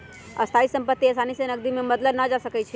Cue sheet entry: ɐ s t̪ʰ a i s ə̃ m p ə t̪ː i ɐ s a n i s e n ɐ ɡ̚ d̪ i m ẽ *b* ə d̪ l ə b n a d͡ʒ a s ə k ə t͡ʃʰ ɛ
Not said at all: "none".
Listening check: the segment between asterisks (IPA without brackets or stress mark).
m